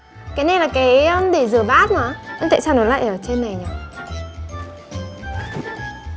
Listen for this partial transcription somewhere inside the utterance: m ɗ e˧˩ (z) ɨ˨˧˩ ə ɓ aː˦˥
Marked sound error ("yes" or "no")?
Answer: no